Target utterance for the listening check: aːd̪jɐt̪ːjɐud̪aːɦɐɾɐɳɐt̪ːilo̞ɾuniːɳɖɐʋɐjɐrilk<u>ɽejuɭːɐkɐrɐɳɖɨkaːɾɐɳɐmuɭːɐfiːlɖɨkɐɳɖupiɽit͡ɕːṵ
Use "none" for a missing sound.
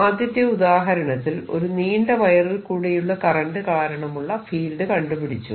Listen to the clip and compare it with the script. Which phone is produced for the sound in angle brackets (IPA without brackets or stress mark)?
uː